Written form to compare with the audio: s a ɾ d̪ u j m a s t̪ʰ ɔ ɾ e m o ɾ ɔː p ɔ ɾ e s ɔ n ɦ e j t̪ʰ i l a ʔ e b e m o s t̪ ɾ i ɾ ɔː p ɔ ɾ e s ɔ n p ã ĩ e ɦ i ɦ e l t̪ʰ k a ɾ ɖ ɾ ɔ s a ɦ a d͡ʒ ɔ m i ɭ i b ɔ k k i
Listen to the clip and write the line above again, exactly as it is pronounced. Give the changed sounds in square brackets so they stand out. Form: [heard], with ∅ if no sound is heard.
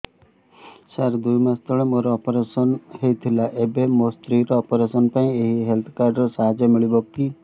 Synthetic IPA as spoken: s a ɾ d̪ u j m a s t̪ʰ ɔ [ɭ] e m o ɾ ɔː p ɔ ɾ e s ɔ n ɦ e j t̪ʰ i l a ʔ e b e m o s t̪ ɾ i ɾ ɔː p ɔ ɾ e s ɔ n p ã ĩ e ɦ i ɦ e l t̪ʰ k a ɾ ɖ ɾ ɔ s a ɦ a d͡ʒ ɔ m i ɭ i b ɔ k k i

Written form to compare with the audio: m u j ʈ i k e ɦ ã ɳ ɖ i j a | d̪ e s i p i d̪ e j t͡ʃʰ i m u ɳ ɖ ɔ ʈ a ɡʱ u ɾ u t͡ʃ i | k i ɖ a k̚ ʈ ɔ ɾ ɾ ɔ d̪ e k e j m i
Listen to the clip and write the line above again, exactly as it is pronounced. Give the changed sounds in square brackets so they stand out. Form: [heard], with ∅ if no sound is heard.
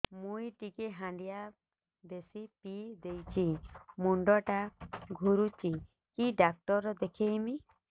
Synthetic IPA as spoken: m u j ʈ i k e ɦ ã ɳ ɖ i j a | d̪ e s i p i d̪ e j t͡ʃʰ i m u ɳ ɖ ɔ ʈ a ɡʱ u ɾ u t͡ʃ i | k i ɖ a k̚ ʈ ɔ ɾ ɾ ɔ d̪ e [kʰ] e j m i

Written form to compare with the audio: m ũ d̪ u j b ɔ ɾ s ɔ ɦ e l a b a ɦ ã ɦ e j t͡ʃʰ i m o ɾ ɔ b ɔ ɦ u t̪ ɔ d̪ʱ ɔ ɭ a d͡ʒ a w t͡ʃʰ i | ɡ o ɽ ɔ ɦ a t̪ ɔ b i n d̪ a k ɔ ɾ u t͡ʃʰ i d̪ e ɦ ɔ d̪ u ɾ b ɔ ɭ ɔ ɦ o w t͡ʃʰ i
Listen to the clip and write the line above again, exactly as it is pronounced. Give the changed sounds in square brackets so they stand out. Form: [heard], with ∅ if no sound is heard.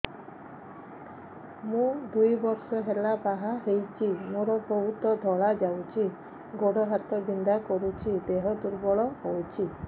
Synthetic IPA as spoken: m ũ d̪ u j b ɔ ɾ s ɔ ɦ e l a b a ɦ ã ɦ e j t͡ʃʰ i m o ɾ ɔ b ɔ ɦ u t̪ ɔ d̪ʱ ɔ ɭ a d͡ʒ a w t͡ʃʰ i | ɡ o ɽ ɔ ɦ a t̪ ɔ b i n d̪ a k ɔ ɾ u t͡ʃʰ i d̪ e ɦ ɔ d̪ u ɾ b ɔ ɭ ɔ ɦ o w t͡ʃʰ i

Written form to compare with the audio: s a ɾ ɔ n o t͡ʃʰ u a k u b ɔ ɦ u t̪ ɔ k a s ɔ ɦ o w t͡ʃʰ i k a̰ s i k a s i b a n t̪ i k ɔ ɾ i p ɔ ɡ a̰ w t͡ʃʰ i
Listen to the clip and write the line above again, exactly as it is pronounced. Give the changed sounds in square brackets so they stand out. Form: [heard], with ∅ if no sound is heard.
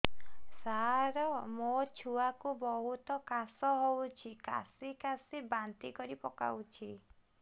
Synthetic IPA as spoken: s a ɾ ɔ [m] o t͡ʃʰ u a k u b ɔ ɦ u t̪ ɔ k a s ɔ ɦ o w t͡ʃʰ i k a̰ s i k a s i b a n t̪ i k ɔ ɾ i p ɔ [k] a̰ w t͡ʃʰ i

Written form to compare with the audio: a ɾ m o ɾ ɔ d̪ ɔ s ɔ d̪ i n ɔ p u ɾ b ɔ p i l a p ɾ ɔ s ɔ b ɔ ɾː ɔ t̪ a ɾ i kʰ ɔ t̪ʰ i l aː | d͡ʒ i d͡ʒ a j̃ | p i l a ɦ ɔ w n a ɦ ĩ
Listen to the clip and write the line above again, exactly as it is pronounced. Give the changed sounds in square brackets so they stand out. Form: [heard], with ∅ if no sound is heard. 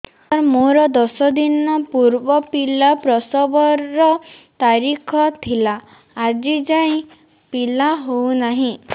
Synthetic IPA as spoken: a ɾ m o ɾ ɔ d̪ ɔ s ɔ d̪ i n ɔ p u ɾ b ɔ p i l a p ɾ ɔ s ɔ b ɔ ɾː ɔ t̪ a ɾ i kʰ ɔ t̪ʰ i l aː | d͡ʒ i d͡ʒ a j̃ | p i l a ɦ [o] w n a ɦ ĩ

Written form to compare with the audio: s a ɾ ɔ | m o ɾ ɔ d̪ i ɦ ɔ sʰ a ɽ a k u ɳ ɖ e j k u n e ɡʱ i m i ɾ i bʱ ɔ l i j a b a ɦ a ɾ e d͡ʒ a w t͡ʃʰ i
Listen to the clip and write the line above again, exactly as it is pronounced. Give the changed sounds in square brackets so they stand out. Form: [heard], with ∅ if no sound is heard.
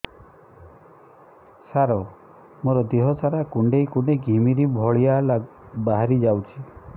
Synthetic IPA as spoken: s a ɾ ɔ | m o ɾ ɔ d̪ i ɦ ɔ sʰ a [ɾ] a k u ɳ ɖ e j k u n e ɡʱ i m i ɾ i bʱ ɔ [ɭ] i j a b a ɦ a ɾ [i] d͡ʒ a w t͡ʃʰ i

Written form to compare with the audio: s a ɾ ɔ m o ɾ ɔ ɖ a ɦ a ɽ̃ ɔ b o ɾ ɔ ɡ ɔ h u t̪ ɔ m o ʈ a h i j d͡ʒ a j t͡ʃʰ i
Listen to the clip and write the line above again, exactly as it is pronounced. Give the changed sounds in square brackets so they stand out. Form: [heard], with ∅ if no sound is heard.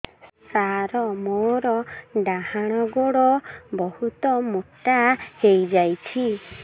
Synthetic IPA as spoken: s a ɾ ɔ m o ɾ ɔ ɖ a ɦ a ɽ̃ ɔ [ɡ] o [ɽ] ɔ [b] ɔ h u t̪ ɔ m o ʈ a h [e] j d͡ʒ a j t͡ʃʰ i

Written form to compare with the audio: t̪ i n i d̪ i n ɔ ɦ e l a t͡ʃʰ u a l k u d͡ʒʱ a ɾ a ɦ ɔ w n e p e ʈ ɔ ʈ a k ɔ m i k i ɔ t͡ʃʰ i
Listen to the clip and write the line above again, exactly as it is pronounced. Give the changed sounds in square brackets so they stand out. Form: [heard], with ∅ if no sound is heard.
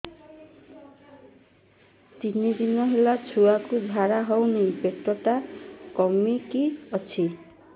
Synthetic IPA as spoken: t̪ i n i d̪ i n ɔ ɦ e l a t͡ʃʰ u a [∅] k u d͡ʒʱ a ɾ a ɦ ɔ w n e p e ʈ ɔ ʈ a k ɔ m i k i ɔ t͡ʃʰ i

